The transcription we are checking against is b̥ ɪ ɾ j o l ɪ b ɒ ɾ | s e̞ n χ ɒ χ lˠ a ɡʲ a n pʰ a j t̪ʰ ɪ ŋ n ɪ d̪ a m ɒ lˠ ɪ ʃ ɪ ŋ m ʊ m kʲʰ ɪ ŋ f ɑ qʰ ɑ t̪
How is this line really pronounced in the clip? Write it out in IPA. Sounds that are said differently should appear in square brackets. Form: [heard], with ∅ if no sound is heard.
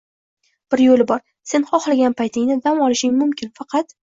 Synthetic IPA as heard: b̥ ɪ ɾ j o l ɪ b ɒ ɾ | s e̞ n χ ɒ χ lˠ a ɡʲ a n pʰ a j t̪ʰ ɪ ŋ n ɪ d̪ a m ɒ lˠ ɪ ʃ ɪ ŋ m ʊ m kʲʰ ɪ [n] f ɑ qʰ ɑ t̪